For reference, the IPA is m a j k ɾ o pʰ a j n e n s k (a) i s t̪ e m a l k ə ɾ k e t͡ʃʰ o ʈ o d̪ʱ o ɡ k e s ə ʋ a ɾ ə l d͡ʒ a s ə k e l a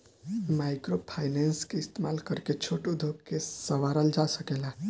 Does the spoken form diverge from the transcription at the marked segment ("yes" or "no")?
yes